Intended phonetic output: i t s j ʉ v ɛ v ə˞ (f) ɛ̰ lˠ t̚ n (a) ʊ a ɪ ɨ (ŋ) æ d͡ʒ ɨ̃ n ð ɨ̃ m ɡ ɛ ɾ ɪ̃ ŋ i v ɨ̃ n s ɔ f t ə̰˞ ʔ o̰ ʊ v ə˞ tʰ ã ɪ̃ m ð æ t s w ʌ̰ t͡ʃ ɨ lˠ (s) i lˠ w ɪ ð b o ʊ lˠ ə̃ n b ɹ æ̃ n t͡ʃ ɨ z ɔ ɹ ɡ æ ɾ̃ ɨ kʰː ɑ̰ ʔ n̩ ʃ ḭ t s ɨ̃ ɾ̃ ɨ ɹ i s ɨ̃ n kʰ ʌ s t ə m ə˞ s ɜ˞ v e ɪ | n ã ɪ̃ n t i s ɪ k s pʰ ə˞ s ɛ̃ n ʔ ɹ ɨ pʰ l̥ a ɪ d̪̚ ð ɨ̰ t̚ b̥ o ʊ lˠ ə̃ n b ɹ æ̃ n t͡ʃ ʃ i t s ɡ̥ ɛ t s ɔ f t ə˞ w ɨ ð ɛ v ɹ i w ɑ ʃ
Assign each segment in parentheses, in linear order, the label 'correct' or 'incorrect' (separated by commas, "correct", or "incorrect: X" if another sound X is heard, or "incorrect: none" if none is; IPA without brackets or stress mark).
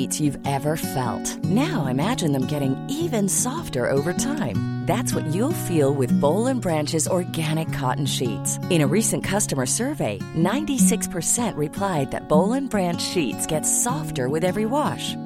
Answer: correct, correct, incorrect: m, incorrect: f